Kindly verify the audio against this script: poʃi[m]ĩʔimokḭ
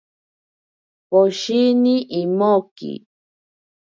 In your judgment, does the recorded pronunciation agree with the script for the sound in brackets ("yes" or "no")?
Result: no